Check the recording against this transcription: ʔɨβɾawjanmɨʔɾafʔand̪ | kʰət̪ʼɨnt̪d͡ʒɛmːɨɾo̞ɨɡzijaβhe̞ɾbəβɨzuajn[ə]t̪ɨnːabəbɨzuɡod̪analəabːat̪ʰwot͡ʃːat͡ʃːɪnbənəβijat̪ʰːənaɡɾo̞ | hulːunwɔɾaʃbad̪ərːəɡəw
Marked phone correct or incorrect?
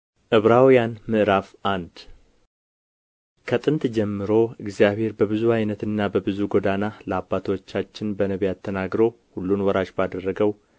correct